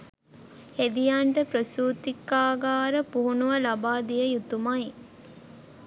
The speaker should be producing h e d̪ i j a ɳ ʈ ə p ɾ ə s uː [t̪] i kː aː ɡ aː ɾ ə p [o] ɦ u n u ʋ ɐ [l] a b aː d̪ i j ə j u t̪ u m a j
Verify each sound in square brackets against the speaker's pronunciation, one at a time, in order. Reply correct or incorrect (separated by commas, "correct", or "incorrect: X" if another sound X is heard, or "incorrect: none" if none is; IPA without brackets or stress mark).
correct, incorrect: u, correct